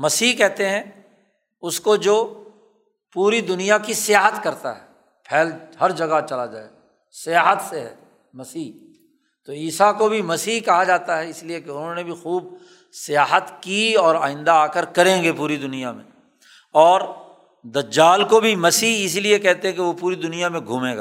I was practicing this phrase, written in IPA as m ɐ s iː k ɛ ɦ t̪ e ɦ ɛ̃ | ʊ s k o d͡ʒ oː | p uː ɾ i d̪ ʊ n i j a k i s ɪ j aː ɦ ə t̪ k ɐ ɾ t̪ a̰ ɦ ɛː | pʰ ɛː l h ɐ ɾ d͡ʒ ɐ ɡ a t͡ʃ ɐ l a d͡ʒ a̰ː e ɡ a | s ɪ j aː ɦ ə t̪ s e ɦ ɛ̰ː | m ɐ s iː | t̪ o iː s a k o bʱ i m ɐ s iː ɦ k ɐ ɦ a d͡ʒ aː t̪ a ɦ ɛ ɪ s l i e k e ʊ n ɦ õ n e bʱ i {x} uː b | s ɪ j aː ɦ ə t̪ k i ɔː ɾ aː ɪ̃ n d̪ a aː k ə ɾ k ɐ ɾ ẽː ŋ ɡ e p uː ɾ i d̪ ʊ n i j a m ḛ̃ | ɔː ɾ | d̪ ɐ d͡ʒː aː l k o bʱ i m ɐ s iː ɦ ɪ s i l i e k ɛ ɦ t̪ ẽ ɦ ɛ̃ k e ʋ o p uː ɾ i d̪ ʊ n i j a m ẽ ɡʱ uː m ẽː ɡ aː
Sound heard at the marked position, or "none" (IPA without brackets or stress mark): x